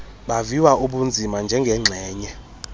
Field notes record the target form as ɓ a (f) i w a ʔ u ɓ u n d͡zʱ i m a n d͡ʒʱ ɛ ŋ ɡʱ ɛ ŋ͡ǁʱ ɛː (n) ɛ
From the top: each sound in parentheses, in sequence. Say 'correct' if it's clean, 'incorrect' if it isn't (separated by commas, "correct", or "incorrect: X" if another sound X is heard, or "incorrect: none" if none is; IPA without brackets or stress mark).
incorrect: v, incorrect: ɲ